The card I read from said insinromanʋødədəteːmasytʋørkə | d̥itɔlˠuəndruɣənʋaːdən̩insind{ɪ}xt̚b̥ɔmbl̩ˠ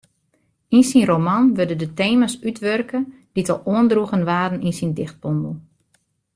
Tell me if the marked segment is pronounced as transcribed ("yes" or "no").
yes